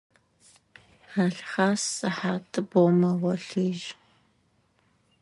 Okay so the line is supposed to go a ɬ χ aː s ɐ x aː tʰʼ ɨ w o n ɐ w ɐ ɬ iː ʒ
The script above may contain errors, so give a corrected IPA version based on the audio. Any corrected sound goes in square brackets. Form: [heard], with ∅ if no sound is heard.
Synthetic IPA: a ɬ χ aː s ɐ [ħ] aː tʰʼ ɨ [b] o [m] ɐ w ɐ ɬ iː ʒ